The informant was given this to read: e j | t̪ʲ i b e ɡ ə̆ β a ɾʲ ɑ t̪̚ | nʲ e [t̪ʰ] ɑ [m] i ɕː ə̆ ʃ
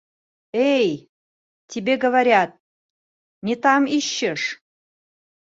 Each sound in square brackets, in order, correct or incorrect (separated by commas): incorrect, correct